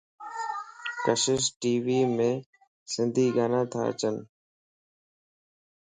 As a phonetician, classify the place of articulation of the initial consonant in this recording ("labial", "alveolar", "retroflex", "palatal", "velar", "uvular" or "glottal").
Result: velar